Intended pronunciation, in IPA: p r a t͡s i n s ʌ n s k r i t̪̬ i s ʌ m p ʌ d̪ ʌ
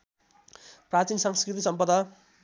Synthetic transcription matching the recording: p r a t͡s i n s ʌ ŋ s k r i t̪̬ i s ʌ m p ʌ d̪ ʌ